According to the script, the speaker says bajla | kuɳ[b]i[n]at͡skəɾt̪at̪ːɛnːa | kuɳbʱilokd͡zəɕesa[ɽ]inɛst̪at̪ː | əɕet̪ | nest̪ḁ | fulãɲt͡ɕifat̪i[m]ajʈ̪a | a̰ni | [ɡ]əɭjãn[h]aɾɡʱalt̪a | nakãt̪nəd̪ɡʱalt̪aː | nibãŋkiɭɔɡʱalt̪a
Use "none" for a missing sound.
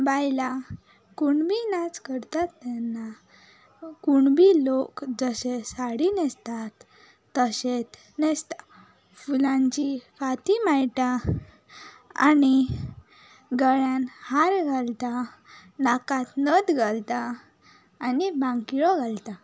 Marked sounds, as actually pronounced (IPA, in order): b, n, ɽ, m, ɡ, h

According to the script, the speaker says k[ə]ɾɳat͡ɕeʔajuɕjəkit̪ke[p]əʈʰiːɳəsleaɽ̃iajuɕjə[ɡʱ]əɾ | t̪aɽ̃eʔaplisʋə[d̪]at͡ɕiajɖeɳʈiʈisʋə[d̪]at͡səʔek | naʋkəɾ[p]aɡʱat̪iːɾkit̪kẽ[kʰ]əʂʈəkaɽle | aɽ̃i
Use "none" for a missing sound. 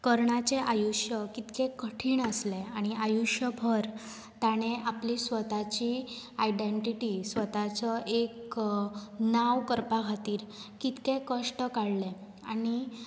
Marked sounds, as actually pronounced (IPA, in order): ə, k, bʱ, t̪, t̪, p, k

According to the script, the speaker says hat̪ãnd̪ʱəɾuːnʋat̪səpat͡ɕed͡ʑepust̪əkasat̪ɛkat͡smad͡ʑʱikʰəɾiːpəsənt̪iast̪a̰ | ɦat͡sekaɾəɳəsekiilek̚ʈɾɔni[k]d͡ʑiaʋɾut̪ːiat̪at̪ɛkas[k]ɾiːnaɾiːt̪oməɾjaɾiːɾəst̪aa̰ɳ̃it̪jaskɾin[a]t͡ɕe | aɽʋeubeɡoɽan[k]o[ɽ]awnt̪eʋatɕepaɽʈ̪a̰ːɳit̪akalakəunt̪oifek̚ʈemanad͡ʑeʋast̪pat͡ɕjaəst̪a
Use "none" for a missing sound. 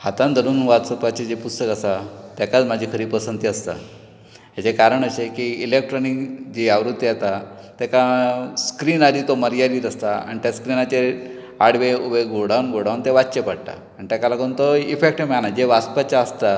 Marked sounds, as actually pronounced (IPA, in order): k, k, a, ɡ, ɽ

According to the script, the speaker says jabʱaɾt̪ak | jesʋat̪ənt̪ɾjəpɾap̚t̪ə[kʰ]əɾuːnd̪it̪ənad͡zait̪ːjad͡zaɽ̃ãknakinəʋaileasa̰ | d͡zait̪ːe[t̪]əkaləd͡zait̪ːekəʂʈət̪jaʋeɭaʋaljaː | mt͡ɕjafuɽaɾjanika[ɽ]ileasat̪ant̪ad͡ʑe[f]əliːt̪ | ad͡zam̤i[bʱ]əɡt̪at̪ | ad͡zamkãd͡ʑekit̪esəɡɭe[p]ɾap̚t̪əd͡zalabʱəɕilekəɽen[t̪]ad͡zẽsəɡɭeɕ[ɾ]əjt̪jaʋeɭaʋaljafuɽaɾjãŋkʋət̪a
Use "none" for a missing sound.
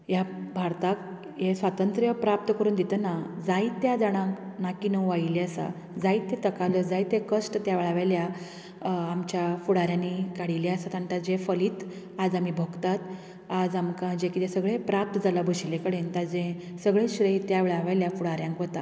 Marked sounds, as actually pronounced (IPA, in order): k, t̪, ɽ, f, bʱ, p, t̪, ɾ

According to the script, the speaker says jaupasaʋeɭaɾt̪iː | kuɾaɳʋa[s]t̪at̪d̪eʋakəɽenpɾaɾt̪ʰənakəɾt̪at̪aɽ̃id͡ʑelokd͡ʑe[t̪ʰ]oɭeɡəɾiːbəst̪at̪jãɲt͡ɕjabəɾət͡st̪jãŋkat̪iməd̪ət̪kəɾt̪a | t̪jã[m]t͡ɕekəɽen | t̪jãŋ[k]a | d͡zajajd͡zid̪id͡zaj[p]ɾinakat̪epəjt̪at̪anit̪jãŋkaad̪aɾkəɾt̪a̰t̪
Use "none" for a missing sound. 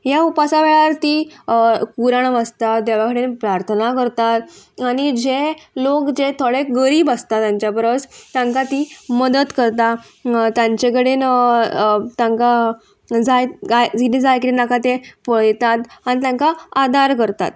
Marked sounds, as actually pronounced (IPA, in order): s, t̪ʰ, ɲ, k, k

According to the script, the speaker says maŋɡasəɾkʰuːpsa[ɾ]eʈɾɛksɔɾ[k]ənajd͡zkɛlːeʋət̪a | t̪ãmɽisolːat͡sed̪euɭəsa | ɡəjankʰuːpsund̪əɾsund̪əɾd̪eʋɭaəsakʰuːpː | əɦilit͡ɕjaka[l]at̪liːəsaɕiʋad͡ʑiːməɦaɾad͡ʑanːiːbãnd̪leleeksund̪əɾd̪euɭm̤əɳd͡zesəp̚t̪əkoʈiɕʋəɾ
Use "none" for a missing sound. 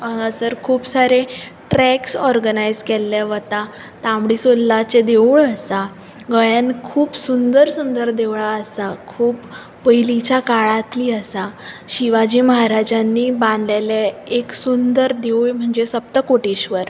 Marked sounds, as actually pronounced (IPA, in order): ɾ, ɡ, ɭ

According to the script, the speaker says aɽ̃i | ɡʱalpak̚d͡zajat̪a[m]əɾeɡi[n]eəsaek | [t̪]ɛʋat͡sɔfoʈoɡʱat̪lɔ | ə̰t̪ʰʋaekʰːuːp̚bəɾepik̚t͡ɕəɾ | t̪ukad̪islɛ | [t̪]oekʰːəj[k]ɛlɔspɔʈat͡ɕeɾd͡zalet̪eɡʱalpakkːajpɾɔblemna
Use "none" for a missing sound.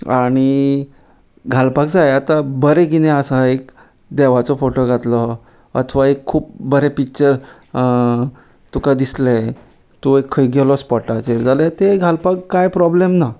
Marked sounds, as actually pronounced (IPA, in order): b, n, d̪, t̪, ɡ

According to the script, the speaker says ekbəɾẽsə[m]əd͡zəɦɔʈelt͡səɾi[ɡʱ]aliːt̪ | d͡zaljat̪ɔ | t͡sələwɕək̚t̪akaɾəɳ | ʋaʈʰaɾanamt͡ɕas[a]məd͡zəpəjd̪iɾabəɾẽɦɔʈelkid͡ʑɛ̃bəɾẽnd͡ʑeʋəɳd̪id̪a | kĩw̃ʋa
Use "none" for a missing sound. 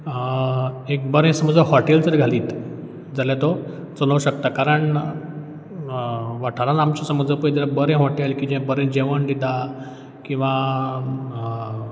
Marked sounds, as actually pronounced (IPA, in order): m, ɡʱ, ə

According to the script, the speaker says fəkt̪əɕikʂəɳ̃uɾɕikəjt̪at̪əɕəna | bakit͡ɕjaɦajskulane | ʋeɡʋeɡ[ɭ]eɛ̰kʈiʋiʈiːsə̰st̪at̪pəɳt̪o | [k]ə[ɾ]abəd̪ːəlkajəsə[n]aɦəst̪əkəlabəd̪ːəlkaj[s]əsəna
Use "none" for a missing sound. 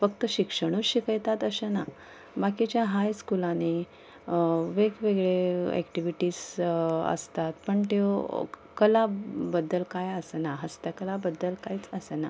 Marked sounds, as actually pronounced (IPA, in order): ɭ, k, l, n, t͡s

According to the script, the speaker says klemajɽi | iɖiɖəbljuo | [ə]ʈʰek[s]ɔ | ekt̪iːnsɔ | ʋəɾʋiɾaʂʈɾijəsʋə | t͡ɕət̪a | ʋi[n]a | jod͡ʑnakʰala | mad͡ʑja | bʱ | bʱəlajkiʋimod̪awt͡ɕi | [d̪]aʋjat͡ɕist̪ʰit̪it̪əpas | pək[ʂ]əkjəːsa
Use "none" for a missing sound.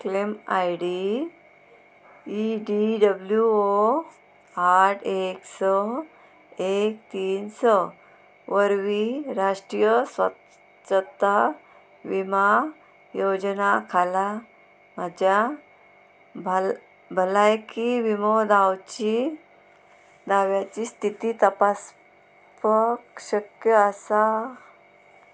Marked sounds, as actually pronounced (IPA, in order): a, s, m, d̪, ɕ

